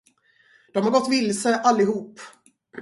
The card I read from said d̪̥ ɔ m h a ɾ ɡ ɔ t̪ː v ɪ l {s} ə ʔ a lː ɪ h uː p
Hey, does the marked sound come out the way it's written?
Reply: yes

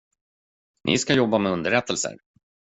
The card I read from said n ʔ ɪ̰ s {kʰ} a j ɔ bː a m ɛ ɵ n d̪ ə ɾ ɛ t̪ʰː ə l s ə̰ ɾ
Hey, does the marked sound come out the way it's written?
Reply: no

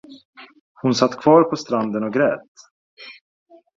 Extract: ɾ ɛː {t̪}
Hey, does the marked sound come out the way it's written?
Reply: yes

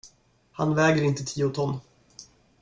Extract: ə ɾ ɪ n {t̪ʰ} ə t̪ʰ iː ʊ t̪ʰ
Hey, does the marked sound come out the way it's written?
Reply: no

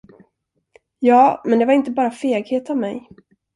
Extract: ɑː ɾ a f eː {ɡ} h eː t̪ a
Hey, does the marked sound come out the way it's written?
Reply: yes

